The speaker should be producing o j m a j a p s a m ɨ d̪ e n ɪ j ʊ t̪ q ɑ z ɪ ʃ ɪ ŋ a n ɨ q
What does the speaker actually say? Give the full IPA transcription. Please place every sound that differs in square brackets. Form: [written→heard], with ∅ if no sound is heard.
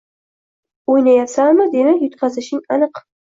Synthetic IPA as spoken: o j [m→n] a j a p s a m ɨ d̪ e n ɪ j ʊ t̪ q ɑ z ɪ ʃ ɪ ŋ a n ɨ q